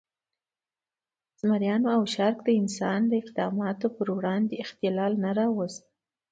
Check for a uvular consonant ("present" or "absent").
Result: present